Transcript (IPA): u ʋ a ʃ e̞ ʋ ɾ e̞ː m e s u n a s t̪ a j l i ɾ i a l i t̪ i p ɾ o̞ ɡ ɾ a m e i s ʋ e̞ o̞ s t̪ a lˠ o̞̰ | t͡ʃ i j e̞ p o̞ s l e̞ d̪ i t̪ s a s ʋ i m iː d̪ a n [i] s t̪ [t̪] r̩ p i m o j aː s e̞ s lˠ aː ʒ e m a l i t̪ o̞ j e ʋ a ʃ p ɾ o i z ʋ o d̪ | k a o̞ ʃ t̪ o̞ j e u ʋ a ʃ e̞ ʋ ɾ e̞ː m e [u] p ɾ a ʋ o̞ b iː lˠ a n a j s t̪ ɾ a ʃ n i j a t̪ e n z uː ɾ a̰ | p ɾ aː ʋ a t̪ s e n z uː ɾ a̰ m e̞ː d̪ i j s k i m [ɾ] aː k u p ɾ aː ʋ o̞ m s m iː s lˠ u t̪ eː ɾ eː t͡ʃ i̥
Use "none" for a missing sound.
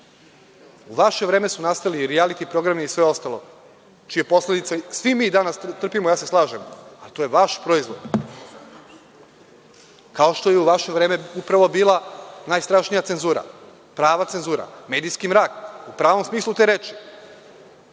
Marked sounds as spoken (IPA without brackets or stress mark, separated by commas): a, t̪, u, ɾ